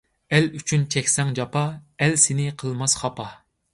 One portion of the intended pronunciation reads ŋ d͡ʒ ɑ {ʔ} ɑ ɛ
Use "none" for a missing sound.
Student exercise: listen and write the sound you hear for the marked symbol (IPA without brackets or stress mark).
p